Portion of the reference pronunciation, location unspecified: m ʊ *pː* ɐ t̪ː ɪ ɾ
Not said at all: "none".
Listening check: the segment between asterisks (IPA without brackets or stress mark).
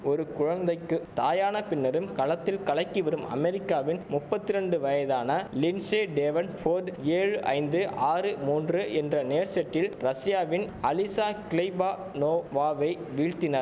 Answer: pː